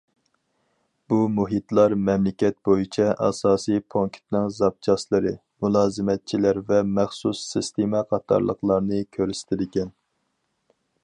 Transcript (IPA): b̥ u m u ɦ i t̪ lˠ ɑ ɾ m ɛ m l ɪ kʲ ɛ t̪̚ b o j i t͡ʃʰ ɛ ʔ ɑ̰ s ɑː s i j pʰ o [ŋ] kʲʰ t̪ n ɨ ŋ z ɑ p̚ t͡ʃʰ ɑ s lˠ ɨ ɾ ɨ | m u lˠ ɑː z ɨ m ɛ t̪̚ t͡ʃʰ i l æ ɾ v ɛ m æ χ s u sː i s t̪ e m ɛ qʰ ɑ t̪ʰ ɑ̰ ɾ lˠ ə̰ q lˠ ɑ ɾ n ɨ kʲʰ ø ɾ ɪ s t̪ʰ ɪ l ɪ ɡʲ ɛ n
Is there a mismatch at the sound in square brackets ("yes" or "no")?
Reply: no